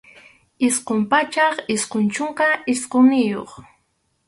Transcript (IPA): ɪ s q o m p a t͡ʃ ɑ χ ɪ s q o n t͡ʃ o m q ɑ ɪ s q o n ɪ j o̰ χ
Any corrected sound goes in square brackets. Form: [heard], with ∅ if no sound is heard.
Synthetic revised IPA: ɪ s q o m p a t͡ʃ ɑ χ ɪ s q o n t͡ʃ o [ɴ] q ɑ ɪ s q o n ɪ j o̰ χ

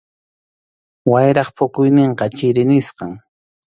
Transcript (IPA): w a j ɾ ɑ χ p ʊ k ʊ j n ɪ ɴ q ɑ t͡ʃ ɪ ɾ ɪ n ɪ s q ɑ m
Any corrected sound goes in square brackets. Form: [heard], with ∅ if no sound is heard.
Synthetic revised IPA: w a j ɾ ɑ χ p ʊ k ʊ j n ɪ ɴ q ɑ t͡ʃ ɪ ɾ ɪ n ɪ s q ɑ [ŋ]

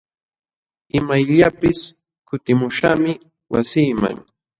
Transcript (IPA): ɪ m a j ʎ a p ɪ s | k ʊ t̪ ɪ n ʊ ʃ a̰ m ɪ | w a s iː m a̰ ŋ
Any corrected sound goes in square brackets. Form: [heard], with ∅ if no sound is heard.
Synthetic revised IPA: ɪ m a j ʎ a p ɪ s | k ʊ t̪ ɪ [m] ʊ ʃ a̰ m ɪ | w a s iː m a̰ ŋ

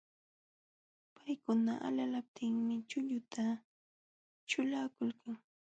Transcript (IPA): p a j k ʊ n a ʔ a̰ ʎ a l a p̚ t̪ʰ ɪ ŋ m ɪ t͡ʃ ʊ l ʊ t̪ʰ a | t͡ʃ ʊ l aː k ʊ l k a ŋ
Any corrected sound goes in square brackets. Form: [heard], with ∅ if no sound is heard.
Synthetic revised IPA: p a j k ʊ n a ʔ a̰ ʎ a l a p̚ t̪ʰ ɪ ŋ m ɪ t͡ʃ ʊ [ʎ] ʊ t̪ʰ a | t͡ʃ ʊ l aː k ʊ l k a ŋ

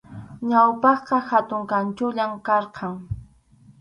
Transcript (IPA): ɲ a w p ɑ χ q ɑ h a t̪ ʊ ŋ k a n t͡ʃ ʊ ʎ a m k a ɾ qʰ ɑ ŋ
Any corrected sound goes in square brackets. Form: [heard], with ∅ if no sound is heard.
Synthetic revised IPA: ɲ a w p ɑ χ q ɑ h a t̪ ʊ ŋ k a n t͡ʃ ʊ ʎ a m k [ɑ] ɾ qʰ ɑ ŋ

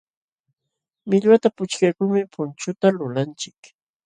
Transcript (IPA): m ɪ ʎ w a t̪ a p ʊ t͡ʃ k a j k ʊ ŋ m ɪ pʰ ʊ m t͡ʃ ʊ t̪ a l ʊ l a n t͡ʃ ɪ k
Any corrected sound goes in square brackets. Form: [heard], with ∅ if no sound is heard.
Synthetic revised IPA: m ɪ ʎ w a t̪ a p ʊ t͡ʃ k a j k ʊ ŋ m ɪ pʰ ʊ [n] t͡ʃ ʊ t̪ a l ʊ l a n t͡ʃ ɪ k

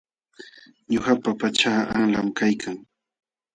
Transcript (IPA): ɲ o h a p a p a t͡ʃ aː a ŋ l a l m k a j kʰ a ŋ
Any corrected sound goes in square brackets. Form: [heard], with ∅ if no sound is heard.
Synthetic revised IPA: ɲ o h a p a p a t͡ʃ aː a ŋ l a [∅] m k a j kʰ a ŋ

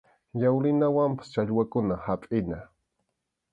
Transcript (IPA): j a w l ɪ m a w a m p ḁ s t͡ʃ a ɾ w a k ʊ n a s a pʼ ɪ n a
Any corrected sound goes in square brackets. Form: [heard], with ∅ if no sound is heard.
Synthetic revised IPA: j a w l ɪ [n] a w a m p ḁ s t͡ʃ a [ʎ] w a k ʊ n a [h] a pʼ ɪ n a

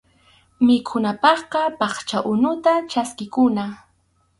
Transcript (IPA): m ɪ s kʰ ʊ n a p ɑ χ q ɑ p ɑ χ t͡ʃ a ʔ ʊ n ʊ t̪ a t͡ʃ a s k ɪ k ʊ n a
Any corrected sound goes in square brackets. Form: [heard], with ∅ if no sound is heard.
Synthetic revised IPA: m ɪ [∅] kʰ ʊ n a p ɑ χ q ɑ p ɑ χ t͡ʃ a ʔ ʊ n ʊ t̪ a t͡ʃ a s k ɪ k ʊ n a

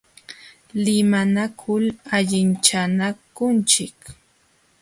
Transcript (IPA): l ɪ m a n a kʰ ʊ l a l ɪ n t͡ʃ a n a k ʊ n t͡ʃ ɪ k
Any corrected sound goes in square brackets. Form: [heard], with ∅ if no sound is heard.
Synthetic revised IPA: l ɪ m a n a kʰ ʊ l a [ʎ] ɪ n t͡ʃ a n a k ʊ n t͡ʃ ɪ k

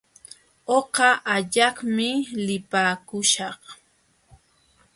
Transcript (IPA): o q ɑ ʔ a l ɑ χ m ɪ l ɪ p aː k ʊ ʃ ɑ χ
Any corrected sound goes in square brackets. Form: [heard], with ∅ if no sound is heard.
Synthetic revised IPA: o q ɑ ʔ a [ʎ] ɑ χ m ɪ l ɪ p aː k ʊ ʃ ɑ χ

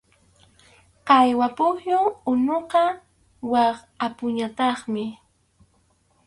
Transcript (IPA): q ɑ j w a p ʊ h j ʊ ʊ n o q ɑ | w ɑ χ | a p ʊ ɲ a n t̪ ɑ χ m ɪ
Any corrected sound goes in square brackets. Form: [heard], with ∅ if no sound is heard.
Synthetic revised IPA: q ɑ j w a p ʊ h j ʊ ʊ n o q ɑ | w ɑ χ | a p ʊ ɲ a [∅] t̪ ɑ χ m ɪ

